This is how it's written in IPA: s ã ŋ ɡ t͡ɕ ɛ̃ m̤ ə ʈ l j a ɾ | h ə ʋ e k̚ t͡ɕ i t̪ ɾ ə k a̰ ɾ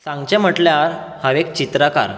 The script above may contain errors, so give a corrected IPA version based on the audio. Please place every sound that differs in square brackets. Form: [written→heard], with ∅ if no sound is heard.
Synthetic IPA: s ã ŋ ɡ t͡ɕ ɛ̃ m̤ ə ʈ l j a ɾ | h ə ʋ e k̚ t͡ɕ i t̪ ɾ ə k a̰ ɾ

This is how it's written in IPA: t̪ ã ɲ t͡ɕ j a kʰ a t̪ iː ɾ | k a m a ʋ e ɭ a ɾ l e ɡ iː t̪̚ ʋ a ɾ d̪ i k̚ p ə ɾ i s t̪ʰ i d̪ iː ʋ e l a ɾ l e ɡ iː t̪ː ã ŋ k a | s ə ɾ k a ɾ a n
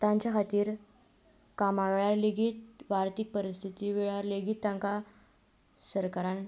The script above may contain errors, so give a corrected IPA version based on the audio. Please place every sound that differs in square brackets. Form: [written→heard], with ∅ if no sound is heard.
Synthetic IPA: t̪ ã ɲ t͡ɕ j a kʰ a t̪ iː ɾ | k a m a ʋ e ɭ a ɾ l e ɡ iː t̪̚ ʋ a ɾ [d̪→t̪] i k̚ p ə ɾ i s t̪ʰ i [d̪→t̪] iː ʋ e [l→ɭ] a ɾ l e ɡ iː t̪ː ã ŋ k a | s ə ɾ k a ɾ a n

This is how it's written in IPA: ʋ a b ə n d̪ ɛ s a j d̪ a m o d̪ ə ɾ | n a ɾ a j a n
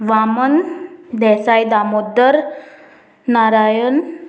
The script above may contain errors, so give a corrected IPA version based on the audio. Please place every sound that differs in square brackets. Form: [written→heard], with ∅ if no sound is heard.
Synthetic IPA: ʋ a [b→m] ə n d̪ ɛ s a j d̪ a m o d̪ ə ɾ | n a ɾ a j [a→ə] n

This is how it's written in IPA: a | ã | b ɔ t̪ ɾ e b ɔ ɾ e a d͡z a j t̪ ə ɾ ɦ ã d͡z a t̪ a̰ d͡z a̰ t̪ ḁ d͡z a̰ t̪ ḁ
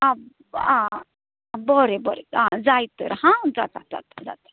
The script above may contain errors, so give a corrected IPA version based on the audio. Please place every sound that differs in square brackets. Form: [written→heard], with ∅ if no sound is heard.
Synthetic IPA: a | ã | b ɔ [t̪→∅] ɾ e b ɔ ɾ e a d͡z a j t̪ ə ɾ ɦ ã d͡z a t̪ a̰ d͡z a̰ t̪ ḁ d͡z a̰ t̪ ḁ

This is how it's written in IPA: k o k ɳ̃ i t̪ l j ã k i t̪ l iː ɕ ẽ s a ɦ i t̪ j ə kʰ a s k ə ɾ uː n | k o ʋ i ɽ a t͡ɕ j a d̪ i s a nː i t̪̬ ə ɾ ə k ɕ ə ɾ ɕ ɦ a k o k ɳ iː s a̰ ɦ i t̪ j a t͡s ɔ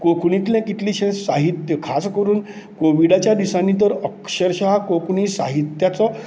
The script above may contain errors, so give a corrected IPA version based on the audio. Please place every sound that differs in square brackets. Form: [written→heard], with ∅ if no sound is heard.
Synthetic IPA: k o k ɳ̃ i t̪ l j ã k i t̪ l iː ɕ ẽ s a ɦ i t̪ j ə kʰ a s k ə ɾ uː n | k o ʋ i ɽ a t͡ɕ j a d̪ i s a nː i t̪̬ ə ɾ ə k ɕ ə ɾ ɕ ɦ a k o k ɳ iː s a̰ ɦ i t̪ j a t͡s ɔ

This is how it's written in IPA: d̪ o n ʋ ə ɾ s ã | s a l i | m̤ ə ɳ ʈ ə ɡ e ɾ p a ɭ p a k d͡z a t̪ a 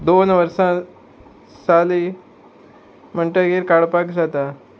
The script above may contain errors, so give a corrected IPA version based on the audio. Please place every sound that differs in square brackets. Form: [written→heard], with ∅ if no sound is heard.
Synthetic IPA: d̪ o n ʋ ə ɾ s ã | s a l i | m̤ ə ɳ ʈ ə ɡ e ɾ [p→k] a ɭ p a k d͡z a t̪ a

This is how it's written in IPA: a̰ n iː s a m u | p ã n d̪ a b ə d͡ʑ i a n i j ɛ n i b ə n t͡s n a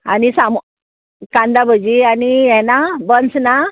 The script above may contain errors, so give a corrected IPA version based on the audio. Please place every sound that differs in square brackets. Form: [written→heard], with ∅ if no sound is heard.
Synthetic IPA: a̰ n [iː→i] s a m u | [p→k] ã n d̪ a b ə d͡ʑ i a n i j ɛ n [i→a] b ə n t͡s n a

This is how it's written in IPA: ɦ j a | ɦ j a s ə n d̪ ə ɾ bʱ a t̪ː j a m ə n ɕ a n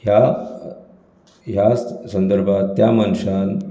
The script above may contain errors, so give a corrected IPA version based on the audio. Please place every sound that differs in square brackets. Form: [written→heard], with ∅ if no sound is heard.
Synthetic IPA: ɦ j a | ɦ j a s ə n d̪ ə ɾ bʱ a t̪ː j a m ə n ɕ a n

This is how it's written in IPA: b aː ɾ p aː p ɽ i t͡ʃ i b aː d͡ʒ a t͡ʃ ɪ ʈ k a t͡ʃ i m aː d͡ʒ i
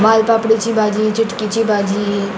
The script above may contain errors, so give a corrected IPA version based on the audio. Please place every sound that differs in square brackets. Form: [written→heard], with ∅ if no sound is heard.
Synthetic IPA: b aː [ɾ→l] p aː p ɽ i t͡ʃ i b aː d͡ʒ [a→i] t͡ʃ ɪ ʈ k [a→i] t͡ʃ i [m→b] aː d͡ʒ i

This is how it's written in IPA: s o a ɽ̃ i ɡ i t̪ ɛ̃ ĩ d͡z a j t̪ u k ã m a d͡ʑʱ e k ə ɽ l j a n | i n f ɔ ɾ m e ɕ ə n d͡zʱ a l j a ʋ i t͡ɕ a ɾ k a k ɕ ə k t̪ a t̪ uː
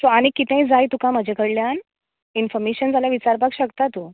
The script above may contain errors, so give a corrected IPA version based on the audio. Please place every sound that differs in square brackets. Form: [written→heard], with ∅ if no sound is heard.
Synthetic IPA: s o a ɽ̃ i [ɡ→k] i t̪ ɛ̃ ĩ d͡z a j t̪ u k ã m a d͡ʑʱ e k ə ɽ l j a n | i n f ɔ ɾ m e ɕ ə n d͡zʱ a l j a ʋ i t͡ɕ a ɾ [k→p] a k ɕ ə k t̪ a t̪ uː

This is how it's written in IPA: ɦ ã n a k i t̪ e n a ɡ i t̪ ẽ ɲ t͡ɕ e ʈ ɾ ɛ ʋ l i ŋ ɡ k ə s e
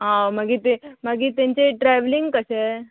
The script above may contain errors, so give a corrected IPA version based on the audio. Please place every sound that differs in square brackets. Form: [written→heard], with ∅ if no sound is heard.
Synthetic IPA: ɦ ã [n→m] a [k→ɡ] i t̪ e [n→m] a ɡ i t̪ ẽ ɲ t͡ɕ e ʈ ɾ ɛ ʋ l i ŋ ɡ k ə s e

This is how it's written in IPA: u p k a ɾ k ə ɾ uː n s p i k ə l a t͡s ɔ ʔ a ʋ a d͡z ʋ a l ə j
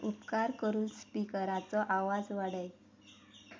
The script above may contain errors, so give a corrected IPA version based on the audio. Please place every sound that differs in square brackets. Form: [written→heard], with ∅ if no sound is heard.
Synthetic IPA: u p k a ɾ k ə ɾ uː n s p i k ə [l→ɾ] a t͡s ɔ ʔ a ʋ a d͡z ʋ a [l→ɽ] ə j

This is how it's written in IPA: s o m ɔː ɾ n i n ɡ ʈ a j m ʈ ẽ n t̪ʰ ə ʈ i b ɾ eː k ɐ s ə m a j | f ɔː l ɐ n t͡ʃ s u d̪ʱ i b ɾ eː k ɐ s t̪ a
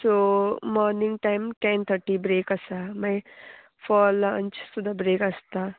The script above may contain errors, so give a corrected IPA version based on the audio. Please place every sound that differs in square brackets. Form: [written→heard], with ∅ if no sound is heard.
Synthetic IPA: s o m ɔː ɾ n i [n→ŋ] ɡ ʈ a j m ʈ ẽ n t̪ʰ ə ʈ i b ɾ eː k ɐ s [ə→a] m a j | f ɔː l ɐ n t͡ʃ s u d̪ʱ [i→a] b ɾ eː k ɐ s t̪ a

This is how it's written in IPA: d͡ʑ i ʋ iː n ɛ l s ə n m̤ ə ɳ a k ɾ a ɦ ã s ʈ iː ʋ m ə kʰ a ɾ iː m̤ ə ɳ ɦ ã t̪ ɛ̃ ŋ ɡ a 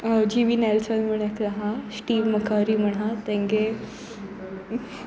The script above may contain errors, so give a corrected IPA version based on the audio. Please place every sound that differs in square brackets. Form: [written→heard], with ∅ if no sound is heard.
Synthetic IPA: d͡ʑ i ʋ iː n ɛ l s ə n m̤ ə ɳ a k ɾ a ɦ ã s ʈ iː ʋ m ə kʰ a ɾ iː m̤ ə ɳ ɦ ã t̪ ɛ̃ ŋ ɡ [a→e]

